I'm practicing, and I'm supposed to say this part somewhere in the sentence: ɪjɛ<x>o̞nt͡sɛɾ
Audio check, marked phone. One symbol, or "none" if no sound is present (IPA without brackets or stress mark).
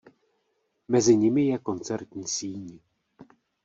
k